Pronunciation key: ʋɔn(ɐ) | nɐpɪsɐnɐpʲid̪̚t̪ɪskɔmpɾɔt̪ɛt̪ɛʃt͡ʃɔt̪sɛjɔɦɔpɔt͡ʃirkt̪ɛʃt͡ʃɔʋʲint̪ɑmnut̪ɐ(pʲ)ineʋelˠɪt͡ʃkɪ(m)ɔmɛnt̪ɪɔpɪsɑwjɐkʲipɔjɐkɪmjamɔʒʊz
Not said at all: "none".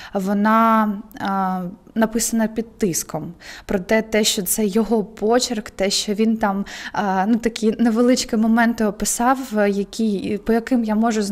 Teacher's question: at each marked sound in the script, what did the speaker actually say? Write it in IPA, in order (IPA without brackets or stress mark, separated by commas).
ɑ, kʲ, m